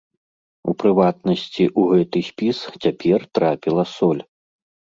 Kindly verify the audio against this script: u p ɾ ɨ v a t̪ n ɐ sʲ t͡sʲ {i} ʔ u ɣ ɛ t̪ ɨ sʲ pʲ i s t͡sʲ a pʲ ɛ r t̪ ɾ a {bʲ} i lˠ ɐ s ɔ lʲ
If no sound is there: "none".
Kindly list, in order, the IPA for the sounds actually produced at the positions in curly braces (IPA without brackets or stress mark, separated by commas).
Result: i, pʲ